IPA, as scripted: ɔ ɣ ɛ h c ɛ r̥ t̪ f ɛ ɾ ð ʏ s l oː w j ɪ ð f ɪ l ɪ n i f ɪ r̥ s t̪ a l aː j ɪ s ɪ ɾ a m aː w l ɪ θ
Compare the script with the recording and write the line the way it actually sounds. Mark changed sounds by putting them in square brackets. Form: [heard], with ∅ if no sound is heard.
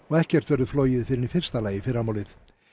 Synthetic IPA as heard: ɔ ɣ ɛ h c ɛ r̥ t̪ [v] ɛ ɾ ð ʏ [f] l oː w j ɪ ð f ɪ [ɾ] ɪ n i f ɪ r̥ s t̪ a l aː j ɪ [f] ɪ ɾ a m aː w l ɪ θ